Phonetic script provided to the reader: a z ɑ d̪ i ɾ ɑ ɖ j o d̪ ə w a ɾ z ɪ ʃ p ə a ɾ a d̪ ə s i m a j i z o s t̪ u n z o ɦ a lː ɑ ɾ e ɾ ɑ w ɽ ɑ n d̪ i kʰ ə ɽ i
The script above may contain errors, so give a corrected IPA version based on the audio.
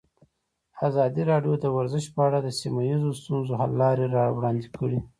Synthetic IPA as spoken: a z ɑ d̪ i ɾ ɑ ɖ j o d̪ ə w a ɾ z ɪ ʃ p ə a ɽ a d̪ ə s i m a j i z o s t̪ u n z o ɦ a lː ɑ ɾ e ɾ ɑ w ɽ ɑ n d̪ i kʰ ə ɽ i